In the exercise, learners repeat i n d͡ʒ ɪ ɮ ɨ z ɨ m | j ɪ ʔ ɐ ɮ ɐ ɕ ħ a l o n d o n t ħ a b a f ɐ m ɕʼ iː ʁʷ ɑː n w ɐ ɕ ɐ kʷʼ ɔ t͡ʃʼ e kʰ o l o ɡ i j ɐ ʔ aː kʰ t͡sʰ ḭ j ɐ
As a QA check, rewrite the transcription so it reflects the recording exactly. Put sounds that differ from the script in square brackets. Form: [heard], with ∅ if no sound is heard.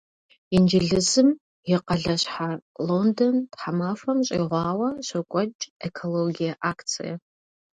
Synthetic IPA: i n d͡ʒ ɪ ɮ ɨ z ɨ m | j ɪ [q] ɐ ɮ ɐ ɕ ħ a l o n d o n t ħ a [m] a f ɐ m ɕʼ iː ʁʷ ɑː [∅] w ɐ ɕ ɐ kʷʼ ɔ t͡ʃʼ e kʰ o l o ɡ i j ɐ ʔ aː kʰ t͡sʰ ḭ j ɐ

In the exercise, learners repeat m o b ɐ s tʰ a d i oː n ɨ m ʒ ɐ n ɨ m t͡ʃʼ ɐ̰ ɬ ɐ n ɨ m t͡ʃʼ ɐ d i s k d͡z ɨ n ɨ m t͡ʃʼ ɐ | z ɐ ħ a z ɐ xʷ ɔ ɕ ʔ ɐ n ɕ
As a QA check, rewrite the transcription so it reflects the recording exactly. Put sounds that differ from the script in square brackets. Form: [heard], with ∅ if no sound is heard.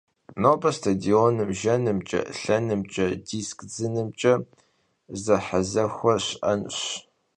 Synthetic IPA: [n] o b ɐ s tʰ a d i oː n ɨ m ʒ ɐ n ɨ m t͡ʃʼ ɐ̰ ɬ ɐ n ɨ m t͡ʃʼ ɐ d i s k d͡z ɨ n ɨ m t͡ʃʼ ɐ | z ɐ ħ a z ɐ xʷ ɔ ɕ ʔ ɐ n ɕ

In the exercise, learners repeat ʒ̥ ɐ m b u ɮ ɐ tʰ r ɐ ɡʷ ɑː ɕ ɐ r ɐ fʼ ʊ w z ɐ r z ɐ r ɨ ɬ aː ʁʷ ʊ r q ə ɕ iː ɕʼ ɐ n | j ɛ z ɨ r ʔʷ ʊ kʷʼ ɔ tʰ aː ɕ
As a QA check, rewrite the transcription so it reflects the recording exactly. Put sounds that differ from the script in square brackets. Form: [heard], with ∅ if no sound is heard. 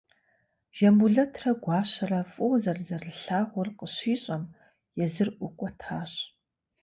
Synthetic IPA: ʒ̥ ɐ m b u ɮ ɐ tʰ r ɐ ɡʷ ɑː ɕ ɐ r ɐ fʼ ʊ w z ɐ r z ɐ r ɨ ɬ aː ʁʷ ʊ r q ə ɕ iː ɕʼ ɐ [m] | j ɛ z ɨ r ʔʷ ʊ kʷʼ ɔ tʰ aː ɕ

